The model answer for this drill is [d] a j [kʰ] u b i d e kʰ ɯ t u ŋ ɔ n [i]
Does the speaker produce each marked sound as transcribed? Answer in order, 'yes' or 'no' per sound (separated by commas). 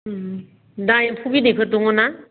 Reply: yes, no, no